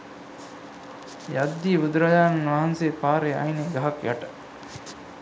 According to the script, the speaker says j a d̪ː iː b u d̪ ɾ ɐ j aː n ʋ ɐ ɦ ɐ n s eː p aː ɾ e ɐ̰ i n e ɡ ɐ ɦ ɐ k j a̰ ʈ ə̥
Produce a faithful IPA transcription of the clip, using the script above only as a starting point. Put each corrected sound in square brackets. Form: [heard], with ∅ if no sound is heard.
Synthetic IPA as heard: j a d̪ː iː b u d̪ ɾ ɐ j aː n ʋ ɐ ɦ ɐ n s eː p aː ɾ e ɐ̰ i n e ɡ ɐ ɦ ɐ k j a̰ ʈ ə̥